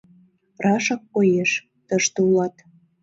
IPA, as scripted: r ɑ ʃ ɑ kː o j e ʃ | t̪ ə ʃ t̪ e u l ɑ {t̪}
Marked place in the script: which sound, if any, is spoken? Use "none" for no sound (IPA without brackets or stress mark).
t̪